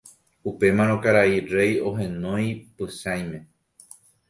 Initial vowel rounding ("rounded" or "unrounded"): rounded